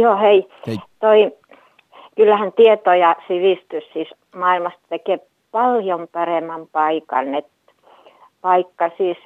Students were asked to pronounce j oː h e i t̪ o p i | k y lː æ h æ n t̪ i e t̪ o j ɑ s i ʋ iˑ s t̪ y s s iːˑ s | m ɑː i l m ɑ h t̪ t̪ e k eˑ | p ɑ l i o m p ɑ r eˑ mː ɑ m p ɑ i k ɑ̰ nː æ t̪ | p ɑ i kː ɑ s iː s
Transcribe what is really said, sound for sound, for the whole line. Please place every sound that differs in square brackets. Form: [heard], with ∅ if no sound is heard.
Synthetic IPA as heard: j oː h e i t̪ o [∅] i | k y lː æ h æ n t̪ i e t̪ o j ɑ s i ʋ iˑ s t̪ y s s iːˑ s | m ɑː i l m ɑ [s] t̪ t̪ e k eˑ | p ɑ l [j] o m p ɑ r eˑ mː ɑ m p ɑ i k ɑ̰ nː [e] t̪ | p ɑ i kː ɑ s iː s